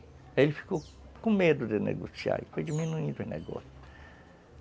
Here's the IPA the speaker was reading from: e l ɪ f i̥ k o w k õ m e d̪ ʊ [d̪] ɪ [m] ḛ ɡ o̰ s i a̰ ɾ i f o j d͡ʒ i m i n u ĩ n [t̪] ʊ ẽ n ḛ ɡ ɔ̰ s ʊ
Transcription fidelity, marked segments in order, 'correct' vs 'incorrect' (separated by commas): correct, incorrect, incorrect